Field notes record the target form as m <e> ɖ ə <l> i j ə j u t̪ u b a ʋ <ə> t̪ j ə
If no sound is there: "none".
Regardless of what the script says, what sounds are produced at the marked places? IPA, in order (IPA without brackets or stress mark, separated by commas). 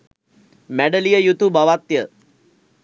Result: æ, l, a